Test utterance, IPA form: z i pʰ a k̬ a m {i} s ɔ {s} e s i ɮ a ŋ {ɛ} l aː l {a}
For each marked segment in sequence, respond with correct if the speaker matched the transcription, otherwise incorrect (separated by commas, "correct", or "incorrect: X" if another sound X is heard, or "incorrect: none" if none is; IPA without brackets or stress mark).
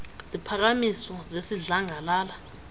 correct, incorrect: z, incorrect: a, correct